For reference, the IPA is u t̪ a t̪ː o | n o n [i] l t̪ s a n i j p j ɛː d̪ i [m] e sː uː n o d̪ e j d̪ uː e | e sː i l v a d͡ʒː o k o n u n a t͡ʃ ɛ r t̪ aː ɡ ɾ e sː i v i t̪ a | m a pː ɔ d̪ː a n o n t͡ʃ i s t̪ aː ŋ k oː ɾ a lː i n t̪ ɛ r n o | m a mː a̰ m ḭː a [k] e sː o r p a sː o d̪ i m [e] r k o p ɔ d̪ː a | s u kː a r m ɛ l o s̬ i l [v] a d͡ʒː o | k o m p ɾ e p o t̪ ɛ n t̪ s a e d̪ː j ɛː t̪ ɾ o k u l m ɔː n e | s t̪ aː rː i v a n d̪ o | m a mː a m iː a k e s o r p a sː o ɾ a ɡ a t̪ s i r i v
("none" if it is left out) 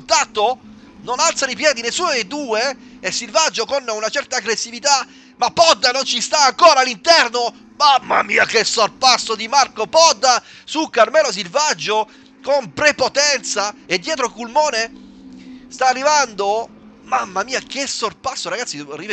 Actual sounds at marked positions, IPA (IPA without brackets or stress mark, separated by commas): a, n, k, a, v